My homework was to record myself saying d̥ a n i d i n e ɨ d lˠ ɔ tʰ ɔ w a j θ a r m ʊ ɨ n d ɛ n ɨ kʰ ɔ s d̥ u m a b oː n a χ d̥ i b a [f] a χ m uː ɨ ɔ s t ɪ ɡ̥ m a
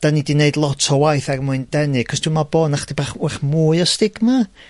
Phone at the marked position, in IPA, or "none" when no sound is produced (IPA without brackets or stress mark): χ